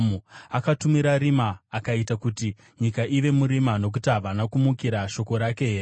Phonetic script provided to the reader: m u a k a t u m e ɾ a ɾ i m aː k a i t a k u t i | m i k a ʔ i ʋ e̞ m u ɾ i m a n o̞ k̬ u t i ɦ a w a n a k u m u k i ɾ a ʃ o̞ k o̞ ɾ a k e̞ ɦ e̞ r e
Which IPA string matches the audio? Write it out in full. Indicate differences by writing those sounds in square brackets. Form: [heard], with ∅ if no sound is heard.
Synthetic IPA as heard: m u a k a t u m [i] ɾ a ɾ i m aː k a i t a k u t i | [ɲ] i k a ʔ i ʋ e̞ m u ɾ i m a n o̞ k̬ u t i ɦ a [ʋ] a n a k u m u k i ɾ a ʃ o̞ k o̞ ɾ a k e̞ ɦ e̞ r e